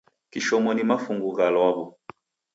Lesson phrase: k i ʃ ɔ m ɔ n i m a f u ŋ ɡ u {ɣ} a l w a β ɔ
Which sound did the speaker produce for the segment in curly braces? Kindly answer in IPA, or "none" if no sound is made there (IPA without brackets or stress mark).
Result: ɣ